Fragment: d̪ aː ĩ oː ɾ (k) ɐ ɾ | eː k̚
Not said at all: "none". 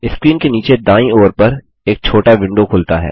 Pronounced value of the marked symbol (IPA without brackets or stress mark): p